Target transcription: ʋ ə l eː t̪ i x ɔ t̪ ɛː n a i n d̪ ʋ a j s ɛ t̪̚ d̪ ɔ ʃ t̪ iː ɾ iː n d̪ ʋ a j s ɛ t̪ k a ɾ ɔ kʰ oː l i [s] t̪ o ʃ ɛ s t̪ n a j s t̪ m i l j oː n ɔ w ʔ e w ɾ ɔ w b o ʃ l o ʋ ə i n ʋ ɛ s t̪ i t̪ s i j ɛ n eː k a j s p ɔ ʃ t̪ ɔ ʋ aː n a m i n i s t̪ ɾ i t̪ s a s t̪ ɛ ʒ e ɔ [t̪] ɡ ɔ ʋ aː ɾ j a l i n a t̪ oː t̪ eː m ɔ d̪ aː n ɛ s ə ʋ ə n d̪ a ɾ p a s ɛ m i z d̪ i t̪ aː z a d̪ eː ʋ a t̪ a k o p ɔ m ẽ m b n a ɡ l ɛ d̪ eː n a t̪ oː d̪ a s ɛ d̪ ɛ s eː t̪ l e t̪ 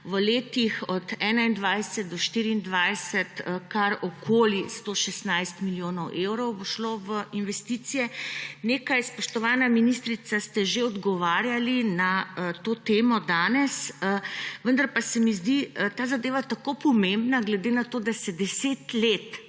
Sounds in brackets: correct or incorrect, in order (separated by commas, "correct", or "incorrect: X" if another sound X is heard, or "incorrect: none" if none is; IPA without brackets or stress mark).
correct, incorrect: d̪